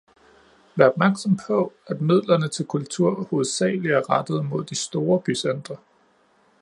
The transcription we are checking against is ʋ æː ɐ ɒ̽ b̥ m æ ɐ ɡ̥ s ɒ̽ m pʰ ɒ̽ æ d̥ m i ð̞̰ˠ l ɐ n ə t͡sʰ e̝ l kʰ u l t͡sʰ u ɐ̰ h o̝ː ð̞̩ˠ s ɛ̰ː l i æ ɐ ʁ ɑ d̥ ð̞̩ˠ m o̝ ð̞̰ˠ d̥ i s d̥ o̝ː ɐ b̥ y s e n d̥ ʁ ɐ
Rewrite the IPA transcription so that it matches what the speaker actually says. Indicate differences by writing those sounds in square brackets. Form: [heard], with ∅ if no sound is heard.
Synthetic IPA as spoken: ʋ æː ɐ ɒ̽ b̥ m æ ɐ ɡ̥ s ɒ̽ m pʰ ɒ̽ æ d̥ m i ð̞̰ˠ l ɐ n ə t͡sʰ e̝ l kʰ u l t͡sʰ u ɐ̰ h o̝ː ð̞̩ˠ s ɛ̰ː l i æ ɐ ʁ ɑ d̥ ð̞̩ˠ m o̝ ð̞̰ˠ d̥ i s d̥ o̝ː ɐ b̥ y s e n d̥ ʁ ɐ